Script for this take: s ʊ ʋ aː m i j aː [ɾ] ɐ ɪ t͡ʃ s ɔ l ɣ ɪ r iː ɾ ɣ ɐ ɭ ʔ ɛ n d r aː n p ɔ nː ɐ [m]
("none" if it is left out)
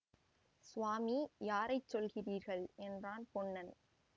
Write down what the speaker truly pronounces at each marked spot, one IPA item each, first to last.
ɾ, n

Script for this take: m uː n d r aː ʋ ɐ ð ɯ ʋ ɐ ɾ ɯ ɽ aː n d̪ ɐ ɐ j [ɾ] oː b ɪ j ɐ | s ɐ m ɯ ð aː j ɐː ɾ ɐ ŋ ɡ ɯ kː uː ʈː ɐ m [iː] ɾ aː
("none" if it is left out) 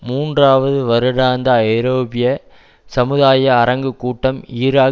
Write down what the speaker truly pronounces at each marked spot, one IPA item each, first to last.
ɾ, iː

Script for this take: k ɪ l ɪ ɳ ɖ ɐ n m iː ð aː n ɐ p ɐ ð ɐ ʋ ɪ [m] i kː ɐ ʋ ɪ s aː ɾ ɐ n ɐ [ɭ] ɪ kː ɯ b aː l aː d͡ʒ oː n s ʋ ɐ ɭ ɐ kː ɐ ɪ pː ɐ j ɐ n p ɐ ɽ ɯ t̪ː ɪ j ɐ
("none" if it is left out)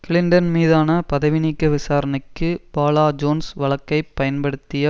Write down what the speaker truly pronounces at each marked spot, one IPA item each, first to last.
n, none

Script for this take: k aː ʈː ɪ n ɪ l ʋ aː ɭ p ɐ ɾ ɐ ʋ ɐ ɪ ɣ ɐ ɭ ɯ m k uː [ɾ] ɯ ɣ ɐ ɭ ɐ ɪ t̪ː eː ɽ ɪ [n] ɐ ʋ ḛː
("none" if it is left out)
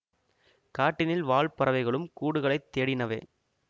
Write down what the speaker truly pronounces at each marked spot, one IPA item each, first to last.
ɽ, n

